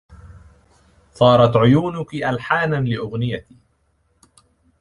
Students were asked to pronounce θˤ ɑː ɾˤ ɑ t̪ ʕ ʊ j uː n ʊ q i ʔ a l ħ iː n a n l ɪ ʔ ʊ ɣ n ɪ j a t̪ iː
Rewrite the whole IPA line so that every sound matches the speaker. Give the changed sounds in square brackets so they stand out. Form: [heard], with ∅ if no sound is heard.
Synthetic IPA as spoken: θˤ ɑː ɾˤ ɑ t̪ ʕ ʊ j uː n ʊ [k] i ʔ a l ħ [aː] n a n l ɪ ʔ ʊ ɣ n ɪ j a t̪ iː